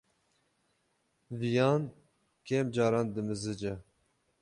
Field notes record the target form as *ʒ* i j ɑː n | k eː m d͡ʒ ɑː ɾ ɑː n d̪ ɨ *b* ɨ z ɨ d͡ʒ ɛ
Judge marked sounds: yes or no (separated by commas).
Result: no, no